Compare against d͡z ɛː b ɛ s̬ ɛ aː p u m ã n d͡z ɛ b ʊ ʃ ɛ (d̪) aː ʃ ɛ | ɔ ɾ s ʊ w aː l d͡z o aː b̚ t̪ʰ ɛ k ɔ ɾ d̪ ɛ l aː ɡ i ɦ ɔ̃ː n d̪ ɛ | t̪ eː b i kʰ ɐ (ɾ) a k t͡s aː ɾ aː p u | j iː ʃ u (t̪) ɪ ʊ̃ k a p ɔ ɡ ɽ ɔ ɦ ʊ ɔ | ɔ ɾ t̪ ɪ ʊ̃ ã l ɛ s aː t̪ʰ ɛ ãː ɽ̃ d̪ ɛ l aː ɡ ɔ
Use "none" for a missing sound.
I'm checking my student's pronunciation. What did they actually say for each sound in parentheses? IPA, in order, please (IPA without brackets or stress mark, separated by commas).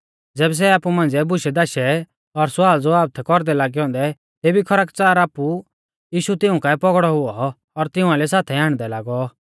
d̪, ɾ, t̪